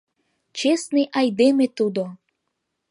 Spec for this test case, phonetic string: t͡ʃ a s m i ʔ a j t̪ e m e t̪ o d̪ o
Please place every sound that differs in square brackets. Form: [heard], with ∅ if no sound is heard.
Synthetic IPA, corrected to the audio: t͡ʃ [e] s [n] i ʔ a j [d̪] e m e t̪ [u] d̪ o